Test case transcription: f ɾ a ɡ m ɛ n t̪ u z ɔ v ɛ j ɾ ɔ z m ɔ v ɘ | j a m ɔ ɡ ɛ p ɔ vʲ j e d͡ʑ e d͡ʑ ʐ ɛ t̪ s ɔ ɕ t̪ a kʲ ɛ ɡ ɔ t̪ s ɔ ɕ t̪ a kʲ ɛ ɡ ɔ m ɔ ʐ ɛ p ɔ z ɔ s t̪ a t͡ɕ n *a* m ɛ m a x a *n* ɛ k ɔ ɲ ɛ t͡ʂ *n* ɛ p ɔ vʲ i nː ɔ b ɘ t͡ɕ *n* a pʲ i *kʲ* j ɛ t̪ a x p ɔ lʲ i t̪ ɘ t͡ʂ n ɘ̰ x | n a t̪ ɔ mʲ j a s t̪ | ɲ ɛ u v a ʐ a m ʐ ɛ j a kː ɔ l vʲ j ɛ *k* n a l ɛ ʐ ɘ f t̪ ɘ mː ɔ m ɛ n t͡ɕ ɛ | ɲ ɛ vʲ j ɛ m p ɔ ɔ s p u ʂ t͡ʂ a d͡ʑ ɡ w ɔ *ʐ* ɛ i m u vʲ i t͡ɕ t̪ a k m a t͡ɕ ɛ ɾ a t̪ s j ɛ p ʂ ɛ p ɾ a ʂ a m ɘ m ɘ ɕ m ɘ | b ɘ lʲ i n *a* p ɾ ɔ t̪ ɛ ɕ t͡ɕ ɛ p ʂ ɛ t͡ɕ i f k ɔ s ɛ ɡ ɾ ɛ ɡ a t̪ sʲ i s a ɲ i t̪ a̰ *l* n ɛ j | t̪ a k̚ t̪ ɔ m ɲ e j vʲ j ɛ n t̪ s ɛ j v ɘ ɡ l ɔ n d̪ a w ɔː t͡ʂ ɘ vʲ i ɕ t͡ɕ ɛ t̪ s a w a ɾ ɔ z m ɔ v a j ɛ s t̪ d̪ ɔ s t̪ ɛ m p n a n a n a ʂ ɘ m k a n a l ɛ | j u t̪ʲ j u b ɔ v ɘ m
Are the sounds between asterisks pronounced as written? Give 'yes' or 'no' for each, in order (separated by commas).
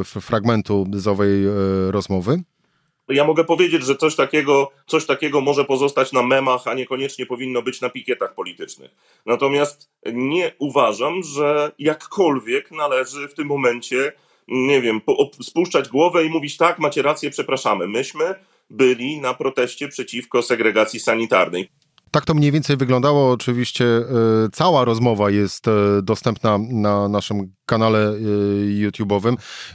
yes, no, no, yes, yes, yes, no, yes, no